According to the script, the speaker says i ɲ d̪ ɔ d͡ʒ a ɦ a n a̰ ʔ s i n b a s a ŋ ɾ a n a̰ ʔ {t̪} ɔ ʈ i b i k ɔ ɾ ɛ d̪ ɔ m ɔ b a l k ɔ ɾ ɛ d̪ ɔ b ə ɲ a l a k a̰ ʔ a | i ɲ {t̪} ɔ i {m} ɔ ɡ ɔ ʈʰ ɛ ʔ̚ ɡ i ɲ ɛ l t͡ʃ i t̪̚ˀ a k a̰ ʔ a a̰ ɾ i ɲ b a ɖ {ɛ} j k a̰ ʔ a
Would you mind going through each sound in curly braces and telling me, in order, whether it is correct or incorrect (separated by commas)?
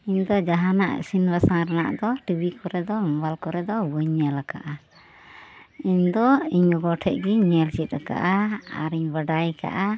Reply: incorrect, incorrect, incorrect, incorrect